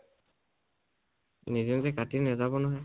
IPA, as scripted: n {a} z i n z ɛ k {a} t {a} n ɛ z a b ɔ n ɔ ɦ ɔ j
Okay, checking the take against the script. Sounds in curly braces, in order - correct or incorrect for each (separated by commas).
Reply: incorrect, correct, incorrect